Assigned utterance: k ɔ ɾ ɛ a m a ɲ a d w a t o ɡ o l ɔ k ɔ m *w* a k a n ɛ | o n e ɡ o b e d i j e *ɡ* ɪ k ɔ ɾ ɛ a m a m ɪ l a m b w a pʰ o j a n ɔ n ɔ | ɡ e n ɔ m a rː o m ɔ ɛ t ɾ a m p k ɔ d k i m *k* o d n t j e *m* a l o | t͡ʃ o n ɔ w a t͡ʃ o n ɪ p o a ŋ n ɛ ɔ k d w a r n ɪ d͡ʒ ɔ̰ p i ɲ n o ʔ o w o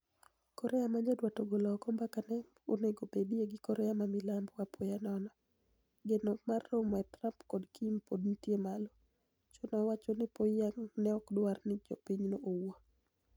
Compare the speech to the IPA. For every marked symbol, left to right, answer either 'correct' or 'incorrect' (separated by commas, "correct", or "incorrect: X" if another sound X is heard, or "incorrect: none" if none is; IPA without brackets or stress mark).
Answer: incorrect: b, correct, incorrect: p, correct